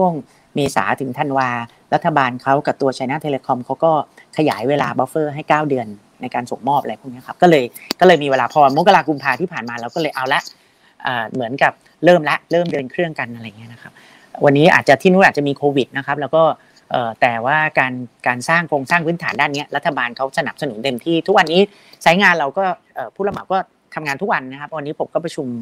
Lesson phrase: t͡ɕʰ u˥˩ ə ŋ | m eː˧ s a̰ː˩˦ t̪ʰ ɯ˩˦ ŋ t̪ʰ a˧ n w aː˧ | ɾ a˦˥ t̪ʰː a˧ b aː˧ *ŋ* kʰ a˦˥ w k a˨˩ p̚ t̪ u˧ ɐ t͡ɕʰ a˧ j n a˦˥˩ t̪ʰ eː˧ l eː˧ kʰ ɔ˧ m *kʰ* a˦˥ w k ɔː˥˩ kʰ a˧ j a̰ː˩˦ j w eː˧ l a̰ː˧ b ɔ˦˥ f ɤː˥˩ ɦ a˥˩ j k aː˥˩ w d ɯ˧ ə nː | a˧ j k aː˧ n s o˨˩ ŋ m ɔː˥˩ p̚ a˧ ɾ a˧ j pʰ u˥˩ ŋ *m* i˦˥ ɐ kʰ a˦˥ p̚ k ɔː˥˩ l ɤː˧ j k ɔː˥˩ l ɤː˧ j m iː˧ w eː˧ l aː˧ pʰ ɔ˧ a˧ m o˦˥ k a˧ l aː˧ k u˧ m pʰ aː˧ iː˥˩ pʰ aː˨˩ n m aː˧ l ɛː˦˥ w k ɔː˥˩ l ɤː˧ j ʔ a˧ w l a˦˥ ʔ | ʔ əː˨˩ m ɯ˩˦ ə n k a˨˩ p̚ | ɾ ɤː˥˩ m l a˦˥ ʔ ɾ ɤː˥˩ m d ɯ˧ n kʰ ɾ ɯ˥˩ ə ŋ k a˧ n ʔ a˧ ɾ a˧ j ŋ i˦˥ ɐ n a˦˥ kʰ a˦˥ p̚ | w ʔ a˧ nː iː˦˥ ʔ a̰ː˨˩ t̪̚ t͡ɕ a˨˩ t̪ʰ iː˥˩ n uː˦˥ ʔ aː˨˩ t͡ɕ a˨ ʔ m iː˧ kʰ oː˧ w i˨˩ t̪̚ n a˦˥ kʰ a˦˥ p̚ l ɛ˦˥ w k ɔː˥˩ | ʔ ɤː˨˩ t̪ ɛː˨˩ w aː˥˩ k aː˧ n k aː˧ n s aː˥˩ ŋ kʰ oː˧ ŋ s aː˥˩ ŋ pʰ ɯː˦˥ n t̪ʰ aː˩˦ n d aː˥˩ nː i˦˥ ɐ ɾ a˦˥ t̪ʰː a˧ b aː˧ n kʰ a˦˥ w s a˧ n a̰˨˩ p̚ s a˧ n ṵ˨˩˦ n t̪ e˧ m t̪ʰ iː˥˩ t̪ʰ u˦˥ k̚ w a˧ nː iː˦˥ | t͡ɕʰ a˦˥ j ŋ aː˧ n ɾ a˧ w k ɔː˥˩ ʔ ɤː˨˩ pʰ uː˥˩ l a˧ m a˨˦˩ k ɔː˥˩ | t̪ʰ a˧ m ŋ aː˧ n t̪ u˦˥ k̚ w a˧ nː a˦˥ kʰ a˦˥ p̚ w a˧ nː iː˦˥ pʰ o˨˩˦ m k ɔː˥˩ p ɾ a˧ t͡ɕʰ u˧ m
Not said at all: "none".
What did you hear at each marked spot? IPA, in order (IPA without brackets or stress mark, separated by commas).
n, kʰ, n